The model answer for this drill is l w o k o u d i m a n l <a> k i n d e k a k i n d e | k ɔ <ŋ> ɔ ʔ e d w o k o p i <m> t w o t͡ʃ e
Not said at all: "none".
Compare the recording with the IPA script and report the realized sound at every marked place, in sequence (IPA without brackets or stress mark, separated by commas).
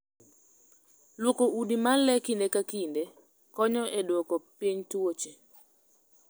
ɛ, ɲ, ɲ